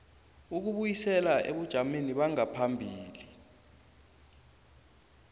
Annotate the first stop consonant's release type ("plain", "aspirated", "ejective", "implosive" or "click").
plain